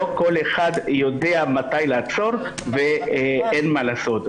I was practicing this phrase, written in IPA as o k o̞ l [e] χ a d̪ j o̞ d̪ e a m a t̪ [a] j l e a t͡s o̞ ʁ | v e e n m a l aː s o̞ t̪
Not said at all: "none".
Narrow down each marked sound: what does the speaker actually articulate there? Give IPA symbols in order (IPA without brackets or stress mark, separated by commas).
e, a